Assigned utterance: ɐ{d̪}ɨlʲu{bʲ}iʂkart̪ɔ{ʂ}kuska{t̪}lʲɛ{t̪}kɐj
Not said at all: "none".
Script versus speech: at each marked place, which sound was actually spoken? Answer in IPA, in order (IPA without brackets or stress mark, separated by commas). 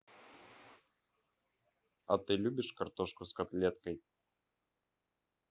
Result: t̪, bʲ, ʂ, t̪, t̪